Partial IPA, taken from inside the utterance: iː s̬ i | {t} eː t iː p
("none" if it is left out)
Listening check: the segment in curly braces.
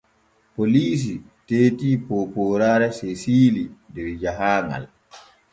t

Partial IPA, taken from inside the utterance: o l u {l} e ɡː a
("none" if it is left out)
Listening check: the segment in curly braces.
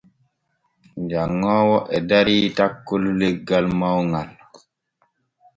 l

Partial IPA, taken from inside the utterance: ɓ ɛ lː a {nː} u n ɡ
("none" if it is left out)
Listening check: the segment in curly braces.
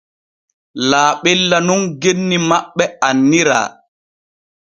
n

